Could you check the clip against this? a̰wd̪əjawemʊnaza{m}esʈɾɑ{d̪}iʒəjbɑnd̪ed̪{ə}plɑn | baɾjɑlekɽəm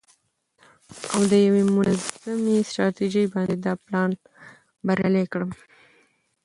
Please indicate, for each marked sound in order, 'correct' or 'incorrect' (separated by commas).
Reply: correct, incorrect, incorrect